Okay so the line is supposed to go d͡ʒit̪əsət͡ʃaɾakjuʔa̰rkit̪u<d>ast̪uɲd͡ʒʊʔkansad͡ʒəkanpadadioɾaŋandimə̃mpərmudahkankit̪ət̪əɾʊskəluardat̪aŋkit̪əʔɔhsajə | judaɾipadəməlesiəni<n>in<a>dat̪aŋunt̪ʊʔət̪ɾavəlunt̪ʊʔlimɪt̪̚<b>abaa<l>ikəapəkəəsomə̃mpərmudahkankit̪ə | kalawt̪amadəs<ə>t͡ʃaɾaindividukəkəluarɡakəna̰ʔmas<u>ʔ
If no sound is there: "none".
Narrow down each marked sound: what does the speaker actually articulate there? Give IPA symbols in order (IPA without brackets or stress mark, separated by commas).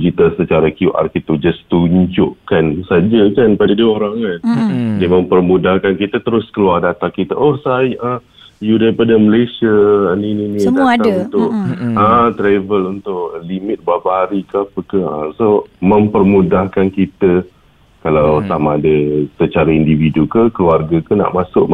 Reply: d͡ʒ, n, i, b, ɾ, ə, ʊ